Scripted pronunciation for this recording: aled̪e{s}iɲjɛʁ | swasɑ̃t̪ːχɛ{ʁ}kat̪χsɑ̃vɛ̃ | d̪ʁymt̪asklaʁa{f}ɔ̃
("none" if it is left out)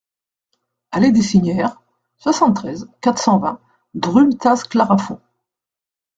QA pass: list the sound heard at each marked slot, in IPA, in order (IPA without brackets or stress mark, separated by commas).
s, z, f